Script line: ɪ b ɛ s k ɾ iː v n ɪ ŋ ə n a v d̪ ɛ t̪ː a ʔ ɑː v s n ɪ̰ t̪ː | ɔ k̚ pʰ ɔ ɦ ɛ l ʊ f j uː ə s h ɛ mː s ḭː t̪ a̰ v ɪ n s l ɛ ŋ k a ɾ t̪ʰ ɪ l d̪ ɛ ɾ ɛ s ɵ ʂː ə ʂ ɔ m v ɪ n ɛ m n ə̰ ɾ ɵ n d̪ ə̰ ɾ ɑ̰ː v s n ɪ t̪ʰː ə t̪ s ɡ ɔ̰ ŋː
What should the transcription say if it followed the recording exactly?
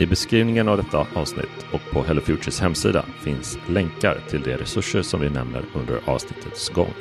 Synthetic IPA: ɪ b ɛ s k ɾ iː v n ɪ ŋ ə n a v d̪ ɛ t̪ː a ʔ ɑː v s n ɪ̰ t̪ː | ɔ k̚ pʰ ɔ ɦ ɛ l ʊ f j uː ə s h ɛ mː s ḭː d̪ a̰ f ɪ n s l ɛ ŋ k a ɾ t̪ʰ ɪ l d̪ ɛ ɾ ɛ s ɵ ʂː ə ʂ ɔ m v ɪ n ɛ m n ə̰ ɾ ɵ n d̪ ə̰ ɾ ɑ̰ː v s n ɪ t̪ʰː ə t̪ s ɡ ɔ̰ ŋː